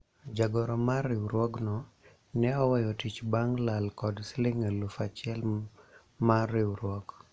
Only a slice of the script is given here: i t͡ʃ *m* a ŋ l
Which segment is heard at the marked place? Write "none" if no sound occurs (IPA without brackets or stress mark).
b